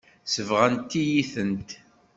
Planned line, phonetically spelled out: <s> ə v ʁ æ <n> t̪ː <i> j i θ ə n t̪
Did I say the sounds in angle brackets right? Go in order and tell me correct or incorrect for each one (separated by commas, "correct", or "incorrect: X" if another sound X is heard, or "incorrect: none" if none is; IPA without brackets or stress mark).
correct, correct, correct